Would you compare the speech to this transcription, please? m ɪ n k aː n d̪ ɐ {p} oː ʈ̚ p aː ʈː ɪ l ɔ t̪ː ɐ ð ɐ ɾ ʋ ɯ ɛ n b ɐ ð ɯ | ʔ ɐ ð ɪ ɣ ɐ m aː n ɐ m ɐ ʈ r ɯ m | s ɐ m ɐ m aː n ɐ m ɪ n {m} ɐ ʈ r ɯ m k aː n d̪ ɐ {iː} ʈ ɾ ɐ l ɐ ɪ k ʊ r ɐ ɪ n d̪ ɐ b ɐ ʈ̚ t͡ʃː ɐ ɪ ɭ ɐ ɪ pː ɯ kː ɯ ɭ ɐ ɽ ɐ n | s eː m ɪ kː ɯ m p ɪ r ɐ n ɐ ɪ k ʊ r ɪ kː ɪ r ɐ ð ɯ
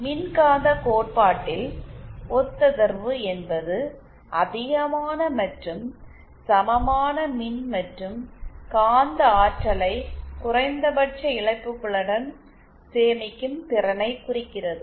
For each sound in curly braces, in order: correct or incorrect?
incorrect: k, correct, incorrect: aː

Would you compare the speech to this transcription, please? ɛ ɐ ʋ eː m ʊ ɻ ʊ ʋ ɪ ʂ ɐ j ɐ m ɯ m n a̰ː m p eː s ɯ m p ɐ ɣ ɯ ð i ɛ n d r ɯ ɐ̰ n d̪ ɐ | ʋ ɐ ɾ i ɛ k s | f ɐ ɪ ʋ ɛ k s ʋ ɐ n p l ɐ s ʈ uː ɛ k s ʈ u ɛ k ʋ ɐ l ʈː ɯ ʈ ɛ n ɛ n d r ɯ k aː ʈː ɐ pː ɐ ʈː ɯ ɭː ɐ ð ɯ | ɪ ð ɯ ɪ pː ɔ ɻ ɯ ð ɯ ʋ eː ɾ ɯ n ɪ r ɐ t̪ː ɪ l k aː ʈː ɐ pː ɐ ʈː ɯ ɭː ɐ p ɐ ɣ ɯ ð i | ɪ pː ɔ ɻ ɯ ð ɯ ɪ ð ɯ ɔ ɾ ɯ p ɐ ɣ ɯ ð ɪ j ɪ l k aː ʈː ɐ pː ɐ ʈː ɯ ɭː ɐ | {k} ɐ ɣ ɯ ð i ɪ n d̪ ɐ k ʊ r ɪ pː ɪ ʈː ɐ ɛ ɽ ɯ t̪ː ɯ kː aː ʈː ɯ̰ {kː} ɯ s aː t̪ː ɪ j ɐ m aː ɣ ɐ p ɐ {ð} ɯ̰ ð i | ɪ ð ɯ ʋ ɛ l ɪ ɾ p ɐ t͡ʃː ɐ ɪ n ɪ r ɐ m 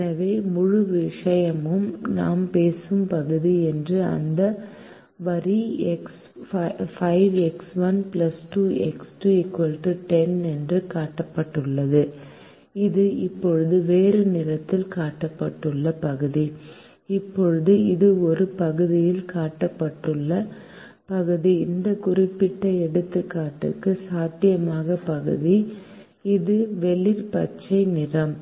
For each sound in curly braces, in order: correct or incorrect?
incorrect: p, correct, incorrect: ɣ

